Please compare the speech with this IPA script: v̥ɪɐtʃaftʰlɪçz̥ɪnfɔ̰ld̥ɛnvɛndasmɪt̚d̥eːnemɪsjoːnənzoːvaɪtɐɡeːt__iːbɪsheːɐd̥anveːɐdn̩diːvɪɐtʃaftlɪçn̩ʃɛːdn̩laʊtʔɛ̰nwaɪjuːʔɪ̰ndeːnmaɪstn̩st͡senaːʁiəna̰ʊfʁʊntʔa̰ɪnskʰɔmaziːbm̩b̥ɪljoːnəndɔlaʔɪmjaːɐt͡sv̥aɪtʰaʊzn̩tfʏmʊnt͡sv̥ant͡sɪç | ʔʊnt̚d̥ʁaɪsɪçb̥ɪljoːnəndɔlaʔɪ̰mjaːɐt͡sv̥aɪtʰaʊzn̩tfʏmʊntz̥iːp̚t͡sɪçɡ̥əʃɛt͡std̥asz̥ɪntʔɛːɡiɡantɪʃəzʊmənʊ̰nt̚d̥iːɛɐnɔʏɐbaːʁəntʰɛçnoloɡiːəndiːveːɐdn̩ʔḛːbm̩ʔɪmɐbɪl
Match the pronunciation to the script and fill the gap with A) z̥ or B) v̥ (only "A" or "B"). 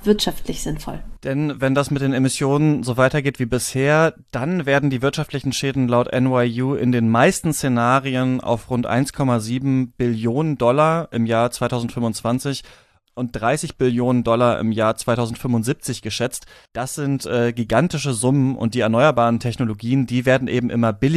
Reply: B